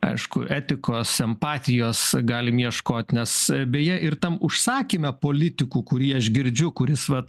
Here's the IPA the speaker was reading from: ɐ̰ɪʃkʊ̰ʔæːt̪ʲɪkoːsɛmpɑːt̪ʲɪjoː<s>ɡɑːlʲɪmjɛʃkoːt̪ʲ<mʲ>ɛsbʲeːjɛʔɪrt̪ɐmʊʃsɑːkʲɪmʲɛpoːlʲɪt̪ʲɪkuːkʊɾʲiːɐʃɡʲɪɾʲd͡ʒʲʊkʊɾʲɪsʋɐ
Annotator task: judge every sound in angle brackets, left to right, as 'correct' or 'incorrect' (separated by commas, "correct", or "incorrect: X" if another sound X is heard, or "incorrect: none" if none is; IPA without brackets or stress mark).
correct, incorrect: nʲ